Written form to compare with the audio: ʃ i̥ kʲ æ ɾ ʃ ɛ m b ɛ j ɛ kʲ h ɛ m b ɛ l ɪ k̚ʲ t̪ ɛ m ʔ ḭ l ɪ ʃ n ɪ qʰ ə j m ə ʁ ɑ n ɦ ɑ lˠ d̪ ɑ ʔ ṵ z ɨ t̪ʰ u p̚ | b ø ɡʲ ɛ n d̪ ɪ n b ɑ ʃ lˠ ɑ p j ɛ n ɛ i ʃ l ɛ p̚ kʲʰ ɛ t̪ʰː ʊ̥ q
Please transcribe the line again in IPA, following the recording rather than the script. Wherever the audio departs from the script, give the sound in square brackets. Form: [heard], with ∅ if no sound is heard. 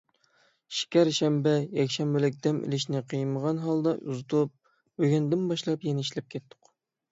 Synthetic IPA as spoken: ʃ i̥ kʲ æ ɾ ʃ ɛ m b ɛ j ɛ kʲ [ʃ] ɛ m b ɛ l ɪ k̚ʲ [d̪] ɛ m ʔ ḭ l ɪ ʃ n ɪ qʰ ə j m ə ʁ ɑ n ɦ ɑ lˠ d̪ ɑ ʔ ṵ z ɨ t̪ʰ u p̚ | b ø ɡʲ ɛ n d̪ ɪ n b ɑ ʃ lˠ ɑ p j ɛ n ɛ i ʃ l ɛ p̚ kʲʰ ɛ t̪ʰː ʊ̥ q

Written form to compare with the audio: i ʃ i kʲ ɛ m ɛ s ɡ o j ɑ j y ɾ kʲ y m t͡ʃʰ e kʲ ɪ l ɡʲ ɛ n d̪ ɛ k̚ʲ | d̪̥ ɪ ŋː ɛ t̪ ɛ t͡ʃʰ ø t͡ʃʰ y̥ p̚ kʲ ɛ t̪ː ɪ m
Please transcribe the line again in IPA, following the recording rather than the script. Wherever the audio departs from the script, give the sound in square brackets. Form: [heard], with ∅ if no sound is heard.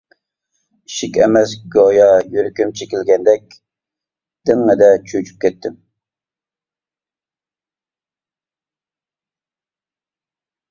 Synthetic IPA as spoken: i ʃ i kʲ ɛ m ɛ s ɡ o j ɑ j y ɾ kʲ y m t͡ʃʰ e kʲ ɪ l ɡʲ ɛ n d̪ ɛ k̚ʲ | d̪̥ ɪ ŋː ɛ [d̪] ɛ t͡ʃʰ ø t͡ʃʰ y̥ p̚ kʲ ɛ t̪ː ɪ m

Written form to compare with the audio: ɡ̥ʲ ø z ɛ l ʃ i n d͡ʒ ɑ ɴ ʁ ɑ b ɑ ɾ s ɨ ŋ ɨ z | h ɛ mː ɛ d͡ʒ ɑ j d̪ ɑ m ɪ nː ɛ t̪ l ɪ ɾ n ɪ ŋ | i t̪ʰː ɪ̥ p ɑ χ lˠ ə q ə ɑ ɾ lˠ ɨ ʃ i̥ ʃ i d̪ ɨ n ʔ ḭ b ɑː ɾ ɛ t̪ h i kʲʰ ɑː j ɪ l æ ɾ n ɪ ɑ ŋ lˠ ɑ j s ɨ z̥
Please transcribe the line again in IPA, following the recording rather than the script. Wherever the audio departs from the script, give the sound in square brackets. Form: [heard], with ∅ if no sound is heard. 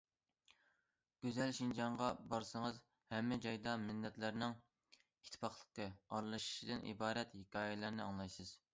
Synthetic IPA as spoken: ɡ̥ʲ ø z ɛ l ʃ i n d͡ʒ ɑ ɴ ʁ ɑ b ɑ ɾ s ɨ ŋ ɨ z | h ɛ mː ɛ d͡ʒ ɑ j d̪ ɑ m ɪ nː ɛ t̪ l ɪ ɾ n ɪ ŋ | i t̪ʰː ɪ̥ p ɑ χ lˠ ə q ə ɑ ɾ lˠ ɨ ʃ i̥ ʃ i d̪ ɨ n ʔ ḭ b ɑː ɾ ɛ t̪ h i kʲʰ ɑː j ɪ l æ ɾ n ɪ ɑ ŋ lˠ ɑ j s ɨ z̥

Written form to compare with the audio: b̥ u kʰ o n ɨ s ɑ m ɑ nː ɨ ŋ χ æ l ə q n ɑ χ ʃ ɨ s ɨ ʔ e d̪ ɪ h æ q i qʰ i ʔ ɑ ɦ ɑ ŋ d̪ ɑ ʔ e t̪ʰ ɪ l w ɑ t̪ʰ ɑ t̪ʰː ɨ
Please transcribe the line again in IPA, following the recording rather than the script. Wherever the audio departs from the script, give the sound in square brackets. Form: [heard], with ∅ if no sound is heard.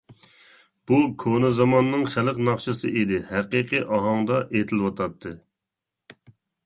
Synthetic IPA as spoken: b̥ u kʰ o n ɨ [z] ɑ m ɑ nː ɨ ŋ χ æ l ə q n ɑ χ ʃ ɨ s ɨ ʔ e d̪ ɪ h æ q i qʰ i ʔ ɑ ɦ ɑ ŋ d̪ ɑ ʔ e t̪ʰ ɪ l w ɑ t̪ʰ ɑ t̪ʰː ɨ

